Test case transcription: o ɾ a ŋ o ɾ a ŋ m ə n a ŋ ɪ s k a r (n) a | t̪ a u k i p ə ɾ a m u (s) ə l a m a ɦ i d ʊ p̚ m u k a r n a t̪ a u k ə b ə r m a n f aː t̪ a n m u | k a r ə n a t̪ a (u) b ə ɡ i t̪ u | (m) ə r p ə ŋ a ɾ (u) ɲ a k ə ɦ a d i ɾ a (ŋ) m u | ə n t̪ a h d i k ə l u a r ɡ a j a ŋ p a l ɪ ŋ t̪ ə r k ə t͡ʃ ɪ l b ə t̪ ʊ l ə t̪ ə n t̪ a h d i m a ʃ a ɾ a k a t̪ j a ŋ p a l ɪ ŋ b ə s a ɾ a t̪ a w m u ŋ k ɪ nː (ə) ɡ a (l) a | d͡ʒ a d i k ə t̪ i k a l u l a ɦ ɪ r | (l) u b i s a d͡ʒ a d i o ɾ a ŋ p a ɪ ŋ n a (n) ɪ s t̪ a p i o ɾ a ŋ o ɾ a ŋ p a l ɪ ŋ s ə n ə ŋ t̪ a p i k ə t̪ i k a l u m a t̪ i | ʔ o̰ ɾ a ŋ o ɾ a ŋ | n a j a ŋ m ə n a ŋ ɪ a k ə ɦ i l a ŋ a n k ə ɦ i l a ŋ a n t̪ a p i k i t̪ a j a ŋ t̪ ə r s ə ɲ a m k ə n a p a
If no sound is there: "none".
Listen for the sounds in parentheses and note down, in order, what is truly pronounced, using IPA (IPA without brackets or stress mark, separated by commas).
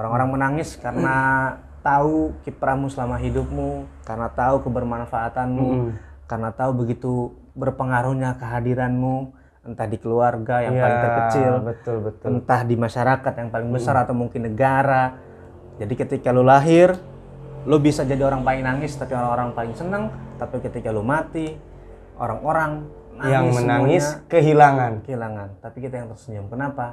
n, s, u, b, u, n, ə, ɾ, l, ŋ